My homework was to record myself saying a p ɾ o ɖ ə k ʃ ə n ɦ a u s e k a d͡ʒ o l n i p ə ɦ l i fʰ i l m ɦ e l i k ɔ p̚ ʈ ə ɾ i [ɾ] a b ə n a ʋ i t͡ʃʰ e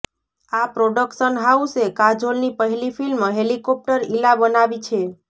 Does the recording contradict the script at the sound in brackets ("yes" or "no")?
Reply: yes